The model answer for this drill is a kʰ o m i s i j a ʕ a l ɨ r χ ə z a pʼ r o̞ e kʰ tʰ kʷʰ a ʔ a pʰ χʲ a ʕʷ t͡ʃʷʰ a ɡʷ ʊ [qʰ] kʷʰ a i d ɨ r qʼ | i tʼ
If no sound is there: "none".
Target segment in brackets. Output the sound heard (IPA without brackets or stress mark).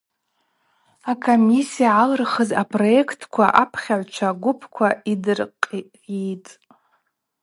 pʰ